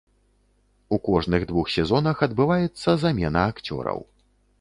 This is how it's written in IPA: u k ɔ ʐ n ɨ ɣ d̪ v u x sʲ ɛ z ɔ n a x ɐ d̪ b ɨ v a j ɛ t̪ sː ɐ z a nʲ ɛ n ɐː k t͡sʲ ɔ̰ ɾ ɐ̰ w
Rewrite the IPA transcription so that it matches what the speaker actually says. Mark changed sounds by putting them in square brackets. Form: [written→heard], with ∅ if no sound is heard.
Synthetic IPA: u k ɔ ʐ n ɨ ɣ d̪ v u x sʲ ɛ z ɔ n [a→ɐ] x ɐ d̪ b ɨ v a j ɛ t̪ sː ɐ z a [nʲ→mʲ] ɛ n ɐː k t͡sʲ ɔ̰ ɾ ɐ̰ w